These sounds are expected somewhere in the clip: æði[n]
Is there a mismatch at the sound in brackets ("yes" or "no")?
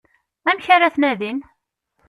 no